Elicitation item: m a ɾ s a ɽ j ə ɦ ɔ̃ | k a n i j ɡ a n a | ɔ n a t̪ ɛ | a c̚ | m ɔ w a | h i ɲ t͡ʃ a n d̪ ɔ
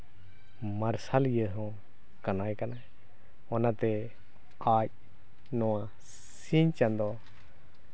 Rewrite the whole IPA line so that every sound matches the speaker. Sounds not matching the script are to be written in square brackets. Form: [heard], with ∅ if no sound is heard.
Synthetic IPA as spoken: m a ɾ s a [l] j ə ɦ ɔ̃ | k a n [a] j [k] a n a | ɔ n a t̪ ɛ | a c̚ | [n] ɔ w a | [s] i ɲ t͡ʃ a n d̪ ɔ